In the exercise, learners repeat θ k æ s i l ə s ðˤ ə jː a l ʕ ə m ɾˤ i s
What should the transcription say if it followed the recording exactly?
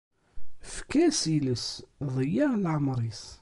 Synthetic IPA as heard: f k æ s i l ə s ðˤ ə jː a l ʕ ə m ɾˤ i s